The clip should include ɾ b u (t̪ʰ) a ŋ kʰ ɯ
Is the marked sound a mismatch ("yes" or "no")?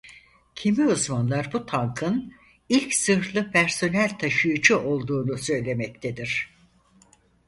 no